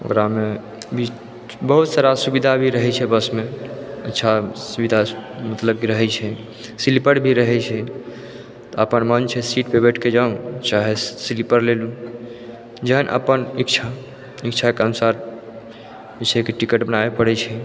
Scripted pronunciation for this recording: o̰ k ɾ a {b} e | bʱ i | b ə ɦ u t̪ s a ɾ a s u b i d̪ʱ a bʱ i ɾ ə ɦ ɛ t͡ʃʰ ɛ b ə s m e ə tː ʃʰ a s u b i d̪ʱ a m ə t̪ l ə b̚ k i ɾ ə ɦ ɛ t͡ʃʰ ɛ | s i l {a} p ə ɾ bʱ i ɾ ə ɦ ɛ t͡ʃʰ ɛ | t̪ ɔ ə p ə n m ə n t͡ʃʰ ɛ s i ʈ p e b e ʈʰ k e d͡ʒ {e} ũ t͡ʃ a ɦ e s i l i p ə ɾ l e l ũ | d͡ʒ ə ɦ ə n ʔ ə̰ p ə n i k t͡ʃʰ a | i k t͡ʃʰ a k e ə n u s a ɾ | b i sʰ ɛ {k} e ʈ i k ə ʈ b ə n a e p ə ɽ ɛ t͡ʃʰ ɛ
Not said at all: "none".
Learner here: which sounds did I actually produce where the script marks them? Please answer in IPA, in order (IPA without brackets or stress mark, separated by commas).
m, i, a, k